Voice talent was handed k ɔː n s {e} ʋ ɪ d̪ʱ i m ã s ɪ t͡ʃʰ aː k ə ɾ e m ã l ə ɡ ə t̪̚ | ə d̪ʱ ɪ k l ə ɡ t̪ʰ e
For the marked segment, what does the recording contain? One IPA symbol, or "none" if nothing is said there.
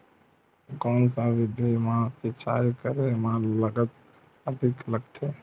a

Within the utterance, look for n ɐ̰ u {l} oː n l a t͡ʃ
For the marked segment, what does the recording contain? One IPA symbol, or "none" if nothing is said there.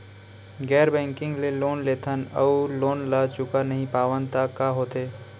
l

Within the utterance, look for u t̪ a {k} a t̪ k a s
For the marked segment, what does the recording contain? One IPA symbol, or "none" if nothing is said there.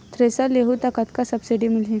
k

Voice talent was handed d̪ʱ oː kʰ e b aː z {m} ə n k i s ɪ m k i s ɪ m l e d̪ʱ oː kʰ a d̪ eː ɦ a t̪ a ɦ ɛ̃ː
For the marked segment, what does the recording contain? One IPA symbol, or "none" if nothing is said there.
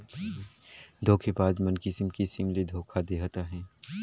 m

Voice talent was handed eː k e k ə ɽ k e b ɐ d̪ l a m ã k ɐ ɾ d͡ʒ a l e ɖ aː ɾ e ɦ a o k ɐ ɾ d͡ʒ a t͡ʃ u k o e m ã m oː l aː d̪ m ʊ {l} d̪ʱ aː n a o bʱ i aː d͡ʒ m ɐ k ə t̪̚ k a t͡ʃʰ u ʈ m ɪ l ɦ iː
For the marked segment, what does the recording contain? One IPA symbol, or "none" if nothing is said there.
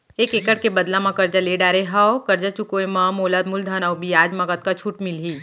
l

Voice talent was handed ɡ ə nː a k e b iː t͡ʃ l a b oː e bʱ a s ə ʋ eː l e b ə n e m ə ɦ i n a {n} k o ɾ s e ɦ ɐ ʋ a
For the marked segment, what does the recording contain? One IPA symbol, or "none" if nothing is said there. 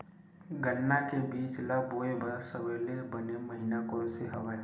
none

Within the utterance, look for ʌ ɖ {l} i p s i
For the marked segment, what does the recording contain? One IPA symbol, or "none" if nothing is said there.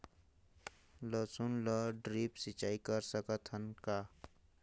ɾ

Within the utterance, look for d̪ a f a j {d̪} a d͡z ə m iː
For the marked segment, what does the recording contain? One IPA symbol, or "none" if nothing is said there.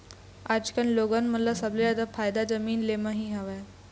d̪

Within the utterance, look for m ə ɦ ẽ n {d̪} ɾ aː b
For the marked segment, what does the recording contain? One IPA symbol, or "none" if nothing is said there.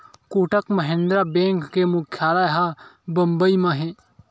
d̪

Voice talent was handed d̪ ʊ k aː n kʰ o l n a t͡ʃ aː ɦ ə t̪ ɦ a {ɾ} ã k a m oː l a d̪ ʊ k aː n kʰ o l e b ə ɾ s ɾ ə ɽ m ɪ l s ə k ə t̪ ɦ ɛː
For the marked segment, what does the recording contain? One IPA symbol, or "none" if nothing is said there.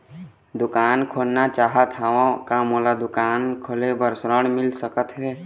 none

